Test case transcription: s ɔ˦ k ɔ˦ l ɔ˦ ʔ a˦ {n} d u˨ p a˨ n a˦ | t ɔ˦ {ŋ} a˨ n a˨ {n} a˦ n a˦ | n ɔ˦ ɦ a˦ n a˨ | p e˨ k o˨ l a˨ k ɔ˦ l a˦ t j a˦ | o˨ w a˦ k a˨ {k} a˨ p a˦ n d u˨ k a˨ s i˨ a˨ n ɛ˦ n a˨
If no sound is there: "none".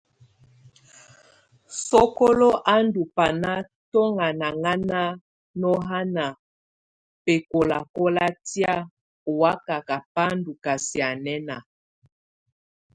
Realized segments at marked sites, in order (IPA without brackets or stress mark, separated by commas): n, ŋ, ŋ, k